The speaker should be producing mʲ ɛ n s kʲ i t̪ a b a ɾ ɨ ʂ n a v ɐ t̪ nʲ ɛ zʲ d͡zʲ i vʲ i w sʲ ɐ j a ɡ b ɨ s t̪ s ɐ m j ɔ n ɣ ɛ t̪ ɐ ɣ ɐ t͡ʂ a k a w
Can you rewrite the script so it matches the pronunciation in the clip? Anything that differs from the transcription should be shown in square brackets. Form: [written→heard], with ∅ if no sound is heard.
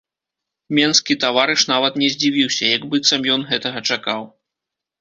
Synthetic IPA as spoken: mʲ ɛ n s kʲ i t̪ a [b→v] a ɾ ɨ ʂ n a v ɐ t̪ nʲ ɛ zʲ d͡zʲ i vʲ i w sʲ ɐ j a ɡ b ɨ [s→∅] t̪ s ɐ m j ɔ n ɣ ɛ t̪ ɐ ɣ ɐ t͡ʂ a k a w